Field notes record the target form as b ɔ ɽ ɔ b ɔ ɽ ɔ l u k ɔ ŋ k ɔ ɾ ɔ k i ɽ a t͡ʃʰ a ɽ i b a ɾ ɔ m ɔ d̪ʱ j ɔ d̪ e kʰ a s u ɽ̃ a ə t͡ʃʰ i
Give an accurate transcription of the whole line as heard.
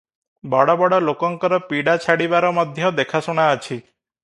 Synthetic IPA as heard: b ɔ ɽ ɔ b ɔ ɽ ɔ l o k ɔ ŋ k ɔ ɾ ɔ p i ɽ a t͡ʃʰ a ɽ i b a ɾ ɔ m ɔ d̪ʱ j ɔ d̪ e kʰ a s u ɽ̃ a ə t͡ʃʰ i